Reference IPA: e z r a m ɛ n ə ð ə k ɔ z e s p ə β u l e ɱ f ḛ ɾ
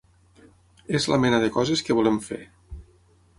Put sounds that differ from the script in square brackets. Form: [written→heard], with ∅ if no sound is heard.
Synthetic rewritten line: e z [r→l] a m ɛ n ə ð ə k ɔ z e s [p→k] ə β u l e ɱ f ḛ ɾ